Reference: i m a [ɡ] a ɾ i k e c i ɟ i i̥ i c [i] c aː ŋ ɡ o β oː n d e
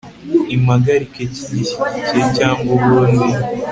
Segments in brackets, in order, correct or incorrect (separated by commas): correct, incorrect